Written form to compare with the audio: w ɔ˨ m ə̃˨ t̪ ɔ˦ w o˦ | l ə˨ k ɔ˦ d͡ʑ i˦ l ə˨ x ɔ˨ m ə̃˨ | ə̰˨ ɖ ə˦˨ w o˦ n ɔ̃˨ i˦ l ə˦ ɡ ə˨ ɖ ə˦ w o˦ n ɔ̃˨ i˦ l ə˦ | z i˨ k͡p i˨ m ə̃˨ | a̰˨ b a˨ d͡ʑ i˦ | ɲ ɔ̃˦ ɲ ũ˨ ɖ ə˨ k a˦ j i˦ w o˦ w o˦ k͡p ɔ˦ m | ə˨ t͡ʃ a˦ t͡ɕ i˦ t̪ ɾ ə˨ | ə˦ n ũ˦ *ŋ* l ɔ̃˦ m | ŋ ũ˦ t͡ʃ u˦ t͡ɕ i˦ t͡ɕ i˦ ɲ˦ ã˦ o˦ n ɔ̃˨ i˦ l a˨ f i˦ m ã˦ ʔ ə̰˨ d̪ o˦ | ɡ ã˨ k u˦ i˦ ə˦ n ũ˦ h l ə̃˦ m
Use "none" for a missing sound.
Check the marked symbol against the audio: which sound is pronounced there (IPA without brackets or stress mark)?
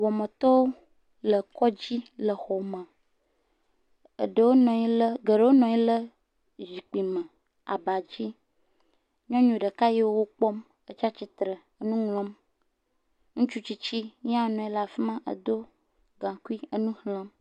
ŋ